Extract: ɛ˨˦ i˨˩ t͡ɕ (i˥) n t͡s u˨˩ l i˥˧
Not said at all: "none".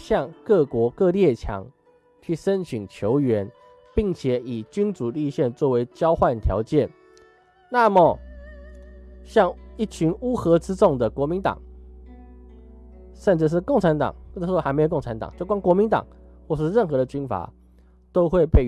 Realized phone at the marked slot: y˥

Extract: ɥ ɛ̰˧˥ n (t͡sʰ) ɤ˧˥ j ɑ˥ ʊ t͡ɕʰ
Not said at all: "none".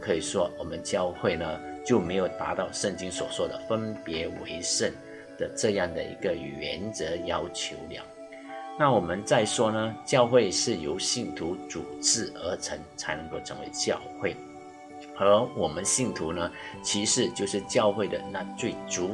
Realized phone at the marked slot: t͡s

